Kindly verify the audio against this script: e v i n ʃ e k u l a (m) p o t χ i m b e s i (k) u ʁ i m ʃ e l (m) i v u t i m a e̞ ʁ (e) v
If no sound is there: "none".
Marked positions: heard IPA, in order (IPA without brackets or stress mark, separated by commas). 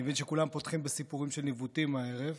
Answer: m, p, n, e